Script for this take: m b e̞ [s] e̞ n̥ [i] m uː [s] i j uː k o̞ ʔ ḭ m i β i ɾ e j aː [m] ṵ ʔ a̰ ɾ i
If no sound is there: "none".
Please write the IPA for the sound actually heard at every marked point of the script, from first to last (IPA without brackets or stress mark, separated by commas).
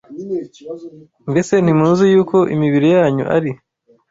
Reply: s, i, z, ɲ